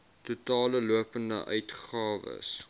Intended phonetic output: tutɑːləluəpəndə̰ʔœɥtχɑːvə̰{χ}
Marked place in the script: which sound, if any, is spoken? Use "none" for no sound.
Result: s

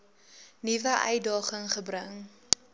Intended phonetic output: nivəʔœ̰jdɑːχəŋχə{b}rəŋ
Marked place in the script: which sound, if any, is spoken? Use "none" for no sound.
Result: b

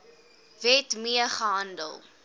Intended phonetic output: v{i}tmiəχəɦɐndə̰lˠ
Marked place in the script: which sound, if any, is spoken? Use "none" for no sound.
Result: ɛ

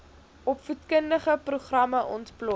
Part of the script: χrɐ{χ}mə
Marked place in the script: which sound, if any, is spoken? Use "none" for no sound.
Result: none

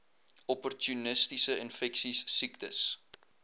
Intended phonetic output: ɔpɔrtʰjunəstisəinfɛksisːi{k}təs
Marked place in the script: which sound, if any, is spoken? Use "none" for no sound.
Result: k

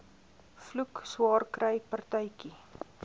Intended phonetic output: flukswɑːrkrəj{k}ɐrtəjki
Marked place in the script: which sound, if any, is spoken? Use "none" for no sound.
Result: p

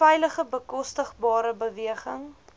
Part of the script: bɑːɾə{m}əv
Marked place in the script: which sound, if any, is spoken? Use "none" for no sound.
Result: b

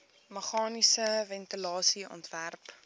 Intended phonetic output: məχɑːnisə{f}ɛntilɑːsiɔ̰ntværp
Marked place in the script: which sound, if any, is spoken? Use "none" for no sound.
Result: v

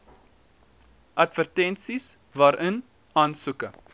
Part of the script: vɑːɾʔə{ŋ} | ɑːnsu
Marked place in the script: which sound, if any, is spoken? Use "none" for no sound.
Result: n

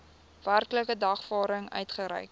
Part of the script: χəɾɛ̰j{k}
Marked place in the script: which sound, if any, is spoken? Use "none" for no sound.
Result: k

